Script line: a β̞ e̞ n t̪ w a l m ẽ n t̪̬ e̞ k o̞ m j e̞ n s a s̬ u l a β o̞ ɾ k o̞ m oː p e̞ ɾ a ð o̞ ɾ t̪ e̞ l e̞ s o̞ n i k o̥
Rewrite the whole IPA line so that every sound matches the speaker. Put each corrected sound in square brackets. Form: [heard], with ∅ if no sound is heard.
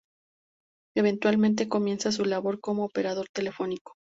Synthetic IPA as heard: [e] β̞ e̞ n t̪ w a l m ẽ n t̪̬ e̞ k o̞ m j e̞ n s a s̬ u l a β o̞ ɾ k o̞ m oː p e̞ ɾ a ð o̞ ɾ t̪ e̞ l e̞ [f] o̞ n i k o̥